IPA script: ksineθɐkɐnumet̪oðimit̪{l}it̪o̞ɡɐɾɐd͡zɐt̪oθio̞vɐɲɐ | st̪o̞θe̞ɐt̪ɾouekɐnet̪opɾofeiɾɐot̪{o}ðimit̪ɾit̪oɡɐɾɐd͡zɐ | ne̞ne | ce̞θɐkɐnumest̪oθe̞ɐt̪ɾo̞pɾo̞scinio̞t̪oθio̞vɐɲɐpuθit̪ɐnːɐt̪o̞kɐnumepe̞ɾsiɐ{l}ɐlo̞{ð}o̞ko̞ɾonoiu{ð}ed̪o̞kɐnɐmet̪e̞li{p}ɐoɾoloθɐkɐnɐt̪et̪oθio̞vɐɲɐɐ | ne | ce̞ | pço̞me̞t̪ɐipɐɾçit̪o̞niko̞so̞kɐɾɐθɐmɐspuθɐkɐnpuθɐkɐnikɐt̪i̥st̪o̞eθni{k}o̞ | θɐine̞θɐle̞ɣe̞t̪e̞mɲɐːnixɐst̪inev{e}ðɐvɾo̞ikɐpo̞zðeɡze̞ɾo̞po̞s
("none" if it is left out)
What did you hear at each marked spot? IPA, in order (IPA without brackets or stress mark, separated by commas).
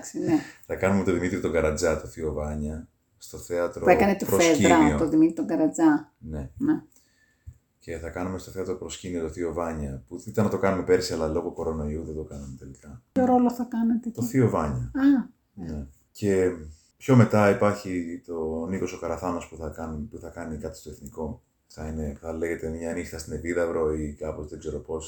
ɾ, o, l, ɣ, ð, k, k, i